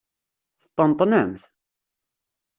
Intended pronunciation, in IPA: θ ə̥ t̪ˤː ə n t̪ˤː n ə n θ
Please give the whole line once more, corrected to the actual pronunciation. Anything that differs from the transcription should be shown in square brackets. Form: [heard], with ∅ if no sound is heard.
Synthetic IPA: θ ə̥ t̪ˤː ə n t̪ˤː n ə [m] θ